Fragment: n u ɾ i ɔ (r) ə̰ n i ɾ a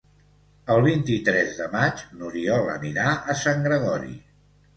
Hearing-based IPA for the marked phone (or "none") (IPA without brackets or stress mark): l